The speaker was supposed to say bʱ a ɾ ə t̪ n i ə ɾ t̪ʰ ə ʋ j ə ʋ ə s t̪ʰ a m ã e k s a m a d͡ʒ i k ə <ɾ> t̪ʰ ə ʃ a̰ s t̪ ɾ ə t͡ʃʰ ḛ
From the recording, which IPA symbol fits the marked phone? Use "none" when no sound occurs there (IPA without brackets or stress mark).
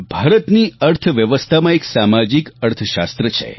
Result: ɾ